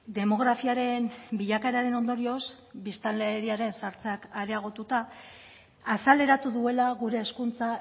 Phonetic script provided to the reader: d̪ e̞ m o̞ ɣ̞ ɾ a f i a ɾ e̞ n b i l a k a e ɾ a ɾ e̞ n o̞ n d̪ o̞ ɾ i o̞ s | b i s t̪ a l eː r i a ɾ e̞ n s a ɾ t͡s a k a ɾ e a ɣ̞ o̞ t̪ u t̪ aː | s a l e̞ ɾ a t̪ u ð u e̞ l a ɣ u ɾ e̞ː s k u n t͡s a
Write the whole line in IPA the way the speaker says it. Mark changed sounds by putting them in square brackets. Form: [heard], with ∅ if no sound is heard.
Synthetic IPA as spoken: d̪ e̞ m o̞ ɣ̞ ɾ a f i a ɾ e̞ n b i [ʎ] a k a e ɾ a ɾ e̞ n o̞ n d̪ o̞ ɾ i o̞ s | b i s t̪ a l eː [ɾ] i a ɾ e̞ n s a ɾ t͡s a k a ɾ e a ɣ̞ o̞ t̪ u t̪ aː | s a l e̞ ɾ a t̪ u ð u e̞ l a ɣ u ɾ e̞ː s k u n t͡s a